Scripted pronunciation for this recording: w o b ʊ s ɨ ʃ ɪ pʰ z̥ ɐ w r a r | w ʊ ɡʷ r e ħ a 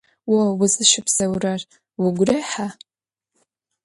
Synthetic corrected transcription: w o w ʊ z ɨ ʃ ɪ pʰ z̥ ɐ w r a r | w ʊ ɡʷ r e ħ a

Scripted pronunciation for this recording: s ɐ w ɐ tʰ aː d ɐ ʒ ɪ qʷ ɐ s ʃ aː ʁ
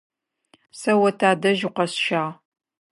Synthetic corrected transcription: s ɐ w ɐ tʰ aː d ɐ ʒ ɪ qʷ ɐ s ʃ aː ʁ

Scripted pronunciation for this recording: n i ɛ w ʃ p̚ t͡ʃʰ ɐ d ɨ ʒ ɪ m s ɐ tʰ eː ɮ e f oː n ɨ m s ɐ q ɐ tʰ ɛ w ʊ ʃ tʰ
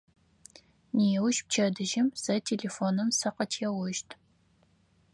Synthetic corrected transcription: n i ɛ w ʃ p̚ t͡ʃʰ ɐ d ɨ ʒ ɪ m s ɐ tʰ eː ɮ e f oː n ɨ m s ɐ q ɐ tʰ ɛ w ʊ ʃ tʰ

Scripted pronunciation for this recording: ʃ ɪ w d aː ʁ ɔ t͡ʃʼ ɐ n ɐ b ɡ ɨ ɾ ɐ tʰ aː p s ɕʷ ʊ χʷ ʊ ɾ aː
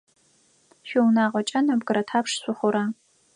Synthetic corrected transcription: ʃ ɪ w n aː ʁ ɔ t͡ʃʼ ɐ n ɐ b ɡ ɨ ɾ ɐ tʰ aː p ʂ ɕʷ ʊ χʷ ʊ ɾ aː

